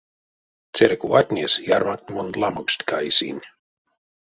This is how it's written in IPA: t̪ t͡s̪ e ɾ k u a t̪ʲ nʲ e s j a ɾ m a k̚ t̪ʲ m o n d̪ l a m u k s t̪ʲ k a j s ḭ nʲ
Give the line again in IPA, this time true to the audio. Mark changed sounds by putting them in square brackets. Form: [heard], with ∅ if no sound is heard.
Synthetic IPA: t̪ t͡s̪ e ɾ k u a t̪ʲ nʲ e s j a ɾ m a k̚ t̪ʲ m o n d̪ l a m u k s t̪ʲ k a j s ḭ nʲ